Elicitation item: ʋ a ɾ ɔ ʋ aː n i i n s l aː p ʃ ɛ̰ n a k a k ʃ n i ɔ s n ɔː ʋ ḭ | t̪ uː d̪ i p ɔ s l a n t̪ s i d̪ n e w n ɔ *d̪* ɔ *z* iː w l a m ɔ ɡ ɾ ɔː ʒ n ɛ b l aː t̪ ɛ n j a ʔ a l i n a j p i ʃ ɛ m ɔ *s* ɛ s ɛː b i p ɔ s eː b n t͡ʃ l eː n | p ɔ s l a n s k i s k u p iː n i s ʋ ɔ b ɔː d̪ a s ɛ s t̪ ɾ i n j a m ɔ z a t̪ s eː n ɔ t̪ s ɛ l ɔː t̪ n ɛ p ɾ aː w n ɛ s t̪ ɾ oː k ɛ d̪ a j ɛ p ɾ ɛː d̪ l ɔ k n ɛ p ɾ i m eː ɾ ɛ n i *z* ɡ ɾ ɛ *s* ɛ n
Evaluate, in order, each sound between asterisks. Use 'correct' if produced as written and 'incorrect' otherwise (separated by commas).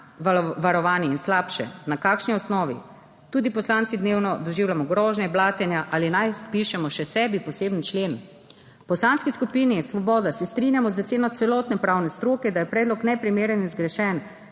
correct, incorrect, incorrect, correct, incorrect